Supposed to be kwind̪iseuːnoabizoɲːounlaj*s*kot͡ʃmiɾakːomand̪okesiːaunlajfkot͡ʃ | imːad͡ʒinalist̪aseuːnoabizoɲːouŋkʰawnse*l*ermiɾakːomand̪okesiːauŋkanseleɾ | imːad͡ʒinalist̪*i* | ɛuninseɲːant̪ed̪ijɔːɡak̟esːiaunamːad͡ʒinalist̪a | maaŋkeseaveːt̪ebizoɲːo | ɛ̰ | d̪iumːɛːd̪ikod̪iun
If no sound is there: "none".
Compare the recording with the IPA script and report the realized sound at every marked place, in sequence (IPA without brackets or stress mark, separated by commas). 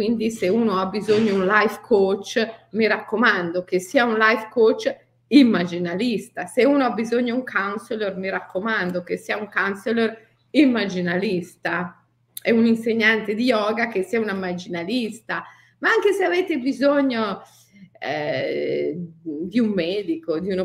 f, l, a